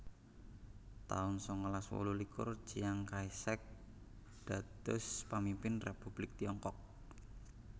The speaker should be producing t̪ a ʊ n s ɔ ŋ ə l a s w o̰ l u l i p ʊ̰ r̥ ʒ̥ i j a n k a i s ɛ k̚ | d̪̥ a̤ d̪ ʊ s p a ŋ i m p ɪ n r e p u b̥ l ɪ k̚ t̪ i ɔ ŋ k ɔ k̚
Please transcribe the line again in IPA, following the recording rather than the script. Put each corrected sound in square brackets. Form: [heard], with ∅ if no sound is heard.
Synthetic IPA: t̪ a ʊ n s ɔ ŋ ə l a s w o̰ l u l i [k] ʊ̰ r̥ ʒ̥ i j a [ŋ] k a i s ɛ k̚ | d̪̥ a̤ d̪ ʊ s p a [m] i m p ɪ n r e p u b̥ l ɪ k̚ t̪ i ɔ ŋ k ɔ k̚

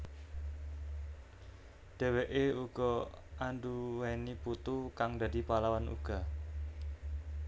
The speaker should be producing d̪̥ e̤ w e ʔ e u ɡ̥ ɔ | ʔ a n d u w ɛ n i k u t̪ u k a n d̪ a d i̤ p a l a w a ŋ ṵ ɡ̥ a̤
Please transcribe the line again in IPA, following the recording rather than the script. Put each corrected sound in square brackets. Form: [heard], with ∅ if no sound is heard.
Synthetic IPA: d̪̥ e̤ w e ʔ e u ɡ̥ ɔ | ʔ a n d u w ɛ n i [p] u t̪ u k a [ŋ] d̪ a d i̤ p a l a w a [n] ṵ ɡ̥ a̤

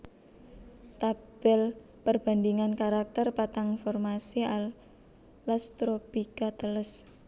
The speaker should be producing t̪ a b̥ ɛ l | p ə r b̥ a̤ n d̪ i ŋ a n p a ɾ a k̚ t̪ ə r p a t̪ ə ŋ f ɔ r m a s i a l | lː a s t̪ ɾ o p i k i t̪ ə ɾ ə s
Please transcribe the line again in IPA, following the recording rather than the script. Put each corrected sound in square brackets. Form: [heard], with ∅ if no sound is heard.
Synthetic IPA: t̪ a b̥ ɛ l | p ə r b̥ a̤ n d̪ i ŋ a n [k] a ɾ a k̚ t̪ ə r p a t̪ [a] ŋ f ɔ r m a s i a l | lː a s t̪ ɾ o p i k [a] t̪ ə [l] ə s

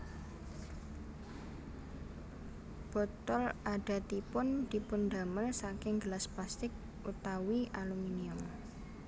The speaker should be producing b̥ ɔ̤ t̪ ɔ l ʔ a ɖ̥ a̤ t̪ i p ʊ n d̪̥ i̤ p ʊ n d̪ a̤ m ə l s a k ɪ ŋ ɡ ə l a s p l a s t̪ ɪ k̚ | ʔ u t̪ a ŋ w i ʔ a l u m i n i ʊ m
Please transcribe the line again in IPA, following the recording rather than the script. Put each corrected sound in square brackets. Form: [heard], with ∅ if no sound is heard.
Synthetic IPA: b̥ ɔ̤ t̪ ɔ l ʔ a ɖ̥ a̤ t̪ i p ʊ n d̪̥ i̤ p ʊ n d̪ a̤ m ə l s a k ɪ ŋ ɡ ə l a s p l a s t̪ ɪ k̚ | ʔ u t̪ a [∅] w i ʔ a l u m i n i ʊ m

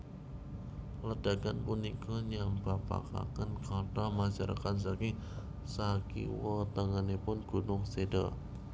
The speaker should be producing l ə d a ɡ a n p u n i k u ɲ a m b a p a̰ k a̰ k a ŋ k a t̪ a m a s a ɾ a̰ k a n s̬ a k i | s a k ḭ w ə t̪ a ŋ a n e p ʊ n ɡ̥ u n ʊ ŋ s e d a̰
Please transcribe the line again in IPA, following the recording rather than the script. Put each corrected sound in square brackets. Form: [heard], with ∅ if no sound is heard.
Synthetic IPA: l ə d a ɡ a n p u n i k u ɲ a m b a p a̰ k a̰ k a [n] k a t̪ a m a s a ɾ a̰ k a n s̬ a k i | s a k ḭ w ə t̪ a ŋ a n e p ʊ n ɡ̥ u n ʊ ŋ s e d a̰

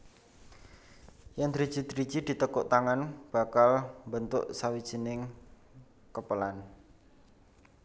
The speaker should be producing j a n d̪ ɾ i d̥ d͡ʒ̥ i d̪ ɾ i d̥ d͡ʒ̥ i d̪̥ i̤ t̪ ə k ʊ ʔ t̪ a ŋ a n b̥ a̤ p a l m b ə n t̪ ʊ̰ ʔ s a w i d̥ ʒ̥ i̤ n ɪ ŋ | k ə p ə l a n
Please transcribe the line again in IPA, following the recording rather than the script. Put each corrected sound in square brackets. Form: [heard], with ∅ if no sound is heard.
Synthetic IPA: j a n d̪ ɾ i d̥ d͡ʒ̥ i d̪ ɾ i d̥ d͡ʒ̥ i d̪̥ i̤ t̪ ə k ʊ ʔ t̪ a ŋ a n b̥ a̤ [k] a l m b ə n t̪ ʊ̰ ʔ s a w i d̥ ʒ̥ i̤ n ɪ ŋ | k ə p ə l a n

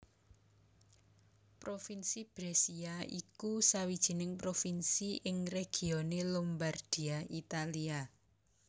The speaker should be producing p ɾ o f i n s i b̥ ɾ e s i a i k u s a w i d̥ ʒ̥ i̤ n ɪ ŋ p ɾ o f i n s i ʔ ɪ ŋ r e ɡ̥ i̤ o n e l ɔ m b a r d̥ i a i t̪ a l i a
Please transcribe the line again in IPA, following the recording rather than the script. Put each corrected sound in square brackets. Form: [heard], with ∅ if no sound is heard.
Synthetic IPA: p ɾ o f i n s i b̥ ɾ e s i a i k u s a w i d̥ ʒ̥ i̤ n ɪ ŋ p ɾ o f i n s i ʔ ɪ ŋ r e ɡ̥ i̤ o n e l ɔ m b a r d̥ i a i t̪ a l i a

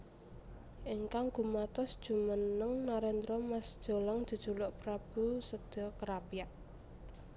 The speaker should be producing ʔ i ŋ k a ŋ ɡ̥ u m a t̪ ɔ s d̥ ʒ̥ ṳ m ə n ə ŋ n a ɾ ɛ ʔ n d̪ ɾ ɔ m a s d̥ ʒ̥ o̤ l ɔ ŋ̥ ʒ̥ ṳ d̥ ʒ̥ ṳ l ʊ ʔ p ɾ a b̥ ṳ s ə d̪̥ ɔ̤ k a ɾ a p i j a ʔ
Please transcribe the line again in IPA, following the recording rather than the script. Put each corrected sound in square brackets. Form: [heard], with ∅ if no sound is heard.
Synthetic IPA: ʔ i ŋ k a ŋ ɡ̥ u m a t̪ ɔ s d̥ ʒ̥ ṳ m ə n ə ŋ n a ɾ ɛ [∅] n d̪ ɾ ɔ m a s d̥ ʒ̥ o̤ l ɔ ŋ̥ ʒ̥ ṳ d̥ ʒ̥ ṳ l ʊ ʔ p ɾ a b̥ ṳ s ə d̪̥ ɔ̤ k [ə] ɾ a p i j a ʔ

